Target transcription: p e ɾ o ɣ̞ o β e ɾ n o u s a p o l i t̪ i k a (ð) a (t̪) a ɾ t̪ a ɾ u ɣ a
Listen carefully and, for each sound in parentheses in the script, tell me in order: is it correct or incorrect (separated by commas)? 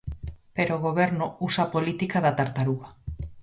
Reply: correct, correct